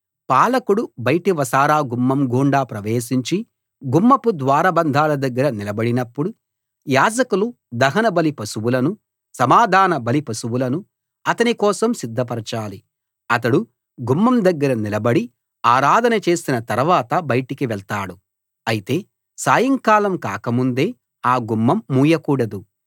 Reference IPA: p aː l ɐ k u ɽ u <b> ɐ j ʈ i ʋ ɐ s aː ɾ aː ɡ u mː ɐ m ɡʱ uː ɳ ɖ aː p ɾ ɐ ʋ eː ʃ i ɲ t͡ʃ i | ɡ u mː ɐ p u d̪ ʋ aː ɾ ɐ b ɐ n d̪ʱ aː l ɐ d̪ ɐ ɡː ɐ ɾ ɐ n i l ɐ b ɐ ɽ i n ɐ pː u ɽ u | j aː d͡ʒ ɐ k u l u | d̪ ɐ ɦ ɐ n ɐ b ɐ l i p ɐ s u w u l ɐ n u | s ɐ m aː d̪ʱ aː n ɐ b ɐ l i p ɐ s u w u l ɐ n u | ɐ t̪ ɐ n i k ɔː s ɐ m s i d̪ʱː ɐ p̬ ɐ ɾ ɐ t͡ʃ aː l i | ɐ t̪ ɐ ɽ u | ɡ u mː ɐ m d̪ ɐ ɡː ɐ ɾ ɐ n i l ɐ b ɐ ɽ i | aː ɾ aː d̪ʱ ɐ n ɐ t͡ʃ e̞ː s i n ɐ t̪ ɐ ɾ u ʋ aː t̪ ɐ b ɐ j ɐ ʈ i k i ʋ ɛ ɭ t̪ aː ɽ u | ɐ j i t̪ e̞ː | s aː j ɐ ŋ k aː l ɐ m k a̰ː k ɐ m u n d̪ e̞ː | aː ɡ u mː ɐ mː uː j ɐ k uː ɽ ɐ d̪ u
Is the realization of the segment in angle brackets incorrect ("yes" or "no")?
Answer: no